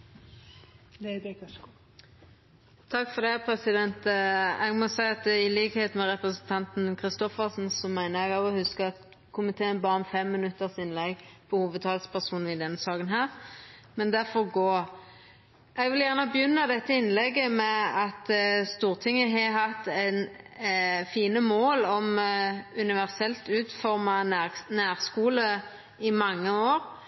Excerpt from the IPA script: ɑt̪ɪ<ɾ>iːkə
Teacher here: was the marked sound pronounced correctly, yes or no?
no